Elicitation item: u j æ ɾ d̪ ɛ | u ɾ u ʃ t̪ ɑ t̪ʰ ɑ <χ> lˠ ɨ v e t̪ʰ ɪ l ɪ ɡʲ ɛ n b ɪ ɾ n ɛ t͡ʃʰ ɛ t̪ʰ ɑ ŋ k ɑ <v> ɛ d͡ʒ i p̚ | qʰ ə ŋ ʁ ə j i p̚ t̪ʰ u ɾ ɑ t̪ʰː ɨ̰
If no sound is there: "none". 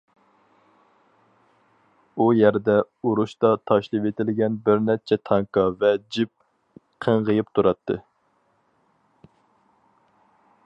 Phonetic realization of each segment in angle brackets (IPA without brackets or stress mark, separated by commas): ʃ, v